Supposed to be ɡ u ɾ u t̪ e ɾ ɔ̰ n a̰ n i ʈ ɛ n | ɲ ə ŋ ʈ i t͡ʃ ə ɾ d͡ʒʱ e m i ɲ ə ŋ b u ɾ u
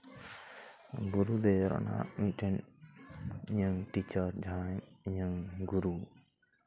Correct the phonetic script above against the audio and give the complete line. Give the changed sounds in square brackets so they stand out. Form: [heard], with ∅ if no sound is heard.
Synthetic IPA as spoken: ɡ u ɾ u [d̪] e ɾ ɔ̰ n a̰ [m] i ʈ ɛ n | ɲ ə ŋ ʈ i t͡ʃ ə ɾ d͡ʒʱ [a] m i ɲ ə ŋ [ɡ] u ɾ u